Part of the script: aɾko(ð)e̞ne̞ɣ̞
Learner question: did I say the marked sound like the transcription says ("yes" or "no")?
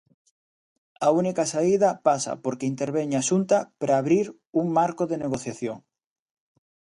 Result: yes